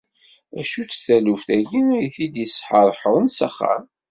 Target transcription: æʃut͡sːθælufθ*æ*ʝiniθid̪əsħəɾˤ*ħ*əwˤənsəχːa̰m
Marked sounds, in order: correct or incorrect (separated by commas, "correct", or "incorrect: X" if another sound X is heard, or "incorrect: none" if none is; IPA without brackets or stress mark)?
correct, correct